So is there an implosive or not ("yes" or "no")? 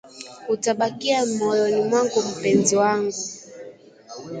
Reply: yes